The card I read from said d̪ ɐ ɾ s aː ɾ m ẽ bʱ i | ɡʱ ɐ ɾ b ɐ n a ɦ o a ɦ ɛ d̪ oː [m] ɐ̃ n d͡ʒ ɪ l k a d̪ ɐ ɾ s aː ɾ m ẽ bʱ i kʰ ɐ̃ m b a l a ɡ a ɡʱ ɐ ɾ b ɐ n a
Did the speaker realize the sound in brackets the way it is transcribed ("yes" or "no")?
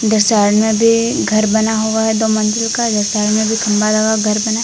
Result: yes